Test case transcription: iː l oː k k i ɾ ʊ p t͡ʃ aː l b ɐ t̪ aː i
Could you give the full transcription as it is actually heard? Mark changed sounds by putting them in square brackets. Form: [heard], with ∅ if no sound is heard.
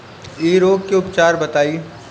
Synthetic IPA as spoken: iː [ɾ] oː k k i [∅] ʊ p t͡ʃ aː [ɾ] b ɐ t̪ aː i